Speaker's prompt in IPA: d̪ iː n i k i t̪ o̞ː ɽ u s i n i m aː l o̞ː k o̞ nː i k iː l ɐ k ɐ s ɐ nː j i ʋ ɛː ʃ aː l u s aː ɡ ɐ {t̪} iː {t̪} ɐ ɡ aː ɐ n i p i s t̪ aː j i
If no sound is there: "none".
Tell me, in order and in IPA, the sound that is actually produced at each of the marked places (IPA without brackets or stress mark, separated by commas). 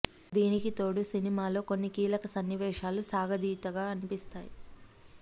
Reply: d̪, t̪